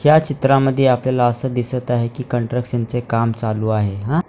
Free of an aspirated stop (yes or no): yes